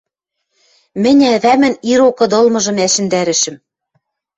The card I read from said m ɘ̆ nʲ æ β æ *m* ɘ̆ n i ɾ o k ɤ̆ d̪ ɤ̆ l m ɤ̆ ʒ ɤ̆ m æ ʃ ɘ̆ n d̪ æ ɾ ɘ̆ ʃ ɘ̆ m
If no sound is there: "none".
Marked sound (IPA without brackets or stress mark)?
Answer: m